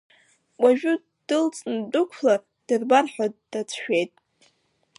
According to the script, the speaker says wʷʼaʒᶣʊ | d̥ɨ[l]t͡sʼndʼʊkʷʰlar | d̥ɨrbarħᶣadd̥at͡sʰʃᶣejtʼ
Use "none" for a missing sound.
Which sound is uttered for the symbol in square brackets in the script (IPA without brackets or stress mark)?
l